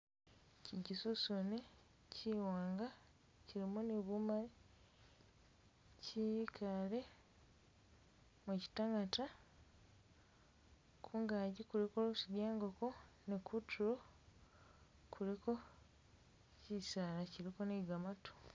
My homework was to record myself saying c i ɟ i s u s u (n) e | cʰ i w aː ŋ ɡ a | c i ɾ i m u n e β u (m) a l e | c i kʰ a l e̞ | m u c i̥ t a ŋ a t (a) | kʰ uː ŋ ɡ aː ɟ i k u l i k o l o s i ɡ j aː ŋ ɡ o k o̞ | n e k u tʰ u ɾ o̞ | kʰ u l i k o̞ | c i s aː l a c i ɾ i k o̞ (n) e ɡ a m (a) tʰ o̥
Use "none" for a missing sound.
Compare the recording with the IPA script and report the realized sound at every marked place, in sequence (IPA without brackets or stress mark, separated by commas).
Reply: n, m, a, n, a